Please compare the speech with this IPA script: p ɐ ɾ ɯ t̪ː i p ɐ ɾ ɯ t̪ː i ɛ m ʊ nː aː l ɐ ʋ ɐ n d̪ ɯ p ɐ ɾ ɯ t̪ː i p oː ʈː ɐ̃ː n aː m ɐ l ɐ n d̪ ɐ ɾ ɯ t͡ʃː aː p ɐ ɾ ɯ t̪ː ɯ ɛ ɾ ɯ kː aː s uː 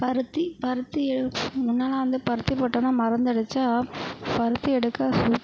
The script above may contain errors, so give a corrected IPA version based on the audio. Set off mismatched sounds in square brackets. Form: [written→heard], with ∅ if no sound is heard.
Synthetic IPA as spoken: p ɐ ɾ ɯ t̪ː i p ɐ ɾ ɯ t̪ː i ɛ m ʊ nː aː l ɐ ʋ ɐ n d̪ ɯ p ɐ ɾ ɯ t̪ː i p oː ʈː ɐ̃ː n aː m ɐ [l→ɾ] ɐ n d̪ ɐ [ɾ→ɽ] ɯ t͡ʃː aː p ɐ ɾ ɯ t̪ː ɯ ɛ [ɾ→ɽ] ɯ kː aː s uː